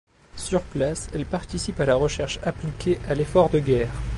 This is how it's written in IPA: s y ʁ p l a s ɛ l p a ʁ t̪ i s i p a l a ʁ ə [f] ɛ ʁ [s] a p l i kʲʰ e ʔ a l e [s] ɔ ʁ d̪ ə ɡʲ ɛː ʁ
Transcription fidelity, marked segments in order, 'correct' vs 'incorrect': incorrect: ʃ, incorrect: ʃ, incorrect: f

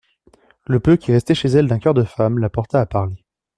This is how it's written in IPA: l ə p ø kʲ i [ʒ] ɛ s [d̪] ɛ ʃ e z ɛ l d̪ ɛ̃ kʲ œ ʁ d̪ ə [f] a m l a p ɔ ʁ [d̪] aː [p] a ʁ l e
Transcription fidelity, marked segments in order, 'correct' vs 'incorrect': incorrect: ʁ, incorrect: t̪, correct, incorrect: t̪, correct

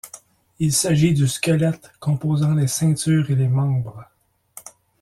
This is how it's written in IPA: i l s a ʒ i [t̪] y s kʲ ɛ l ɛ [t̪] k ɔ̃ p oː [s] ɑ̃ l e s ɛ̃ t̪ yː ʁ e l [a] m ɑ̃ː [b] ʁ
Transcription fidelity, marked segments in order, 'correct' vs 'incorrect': incorrect: d̪, correct, incorrect: z, incorrect: e, correct

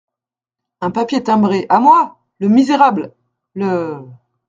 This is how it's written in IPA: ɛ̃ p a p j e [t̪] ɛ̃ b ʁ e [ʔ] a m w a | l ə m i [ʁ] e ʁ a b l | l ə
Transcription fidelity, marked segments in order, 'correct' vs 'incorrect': correct, correct, incorrect: z

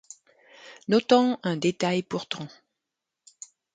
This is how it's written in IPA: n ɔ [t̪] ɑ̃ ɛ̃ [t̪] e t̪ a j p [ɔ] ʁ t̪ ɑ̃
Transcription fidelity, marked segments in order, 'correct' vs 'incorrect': correct, incorrect: d̪, incorrect: u

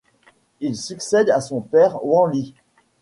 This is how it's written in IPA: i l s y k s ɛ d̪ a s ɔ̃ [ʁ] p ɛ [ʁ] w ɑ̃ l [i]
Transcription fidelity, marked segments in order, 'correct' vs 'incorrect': incorrect: none, correct, correct

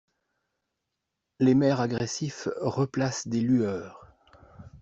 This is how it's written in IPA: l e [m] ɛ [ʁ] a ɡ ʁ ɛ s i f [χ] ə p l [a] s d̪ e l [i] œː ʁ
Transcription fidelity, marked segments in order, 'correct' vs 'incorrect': correct, correct, incorrect: ʁ, correct, incorrect: y

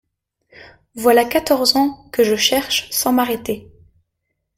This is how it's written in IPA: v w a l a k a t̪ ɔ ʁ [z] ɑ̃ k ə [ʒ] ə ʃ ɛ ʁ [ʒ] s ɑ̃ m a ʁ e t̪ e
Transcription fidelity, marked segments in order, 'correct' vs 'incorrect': correct, correct, incorrect: ʃ

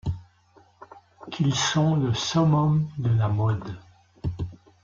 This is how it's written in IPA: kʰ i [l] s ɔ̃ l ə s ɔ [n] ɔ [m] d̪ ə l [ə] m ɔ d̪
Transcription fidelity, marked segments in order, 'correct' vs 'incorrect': correct, incorrect: m, correct, incorrect: a

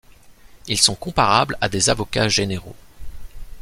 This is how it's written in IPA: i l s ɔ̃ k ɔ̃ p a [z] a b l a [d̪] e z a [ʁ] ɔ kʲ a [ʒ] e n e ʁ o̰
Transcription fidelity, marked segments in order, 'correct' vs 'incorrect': incorrect: ʁ, correct, incorrect: v, correct

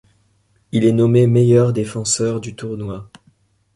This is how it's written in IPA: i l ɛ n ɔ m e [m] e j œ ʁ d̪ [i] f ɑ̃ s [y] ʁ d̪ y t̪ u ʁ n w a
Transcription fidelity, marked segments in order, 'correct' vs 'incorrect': correct, incorrect: e, incorrect: œ

